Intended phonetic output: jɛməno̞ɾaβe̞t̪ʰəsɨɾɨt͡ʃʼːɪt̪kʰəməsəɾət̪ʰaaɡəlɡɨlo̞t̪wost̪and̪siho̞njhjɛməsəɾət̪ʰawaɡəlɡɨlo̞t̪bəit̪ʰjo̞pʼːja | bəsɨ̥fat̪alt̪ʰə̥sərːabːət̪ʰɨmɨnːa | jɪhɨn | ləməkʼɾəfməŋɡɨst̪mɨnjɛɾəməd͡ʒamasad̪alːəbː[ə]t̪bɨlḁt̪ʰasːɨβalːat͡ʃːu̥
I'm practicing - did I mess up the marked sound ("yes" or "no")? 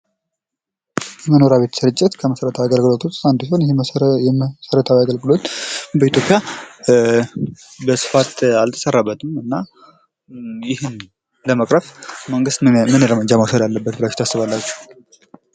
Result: no